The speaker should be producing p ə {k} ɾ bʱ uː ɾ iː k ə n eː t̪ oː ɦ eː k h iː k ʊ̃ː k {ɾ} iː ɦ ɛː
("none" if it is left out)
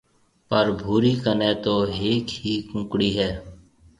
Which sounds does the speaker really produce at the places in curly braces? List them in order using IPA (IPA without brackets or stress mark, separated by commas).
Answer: none, ɽ